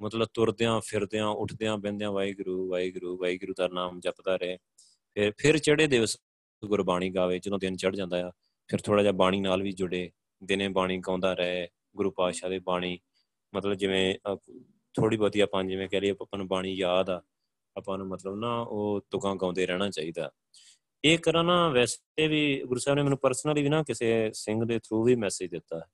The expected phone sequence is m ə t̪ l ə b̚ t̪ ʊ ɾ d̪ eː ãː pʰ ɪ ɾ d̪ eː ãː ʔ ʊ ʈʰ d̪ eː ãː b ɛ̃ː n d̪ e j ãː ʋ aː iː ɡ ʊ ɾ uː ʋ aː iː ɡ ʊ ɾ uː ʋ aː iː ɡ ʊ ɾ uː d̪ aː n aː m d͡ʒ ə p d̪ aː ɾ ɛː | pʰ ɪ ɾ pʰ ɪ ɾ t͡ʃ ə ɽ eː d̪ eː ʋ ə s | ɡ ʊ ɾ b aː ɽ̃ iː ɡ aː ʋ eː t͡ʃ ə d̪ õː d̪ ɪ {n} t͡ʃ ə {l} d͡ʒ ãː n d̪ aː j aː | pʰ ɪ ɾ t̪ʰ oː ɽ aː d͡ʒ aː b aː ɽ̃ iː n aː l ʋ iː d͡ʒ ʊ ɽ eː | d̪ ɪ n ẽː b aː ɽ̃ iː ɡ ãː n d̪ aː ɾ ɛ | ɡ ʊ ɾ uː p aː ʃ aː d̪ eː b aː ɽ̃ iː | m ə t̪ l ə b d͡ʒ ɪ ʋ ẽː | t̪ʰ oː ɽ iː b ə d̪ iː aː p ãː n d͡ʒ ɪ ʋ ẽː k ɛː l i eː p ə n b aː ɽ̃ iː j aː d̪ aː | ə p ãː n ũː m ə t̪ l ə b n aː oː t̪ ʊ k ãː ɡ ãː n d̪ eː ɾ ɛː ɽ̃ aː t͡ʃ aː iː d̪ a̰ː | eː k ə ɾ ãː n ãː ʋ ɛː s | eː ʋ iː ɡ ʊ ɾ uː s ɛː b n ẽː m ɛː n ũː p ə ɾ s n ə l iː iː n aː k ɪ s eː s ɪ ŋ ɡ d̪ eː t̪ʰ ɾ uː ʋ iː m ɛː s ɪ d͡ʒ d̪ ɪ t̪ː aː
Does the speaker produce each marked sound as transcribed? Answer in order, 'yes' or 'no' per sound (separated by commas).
yes, no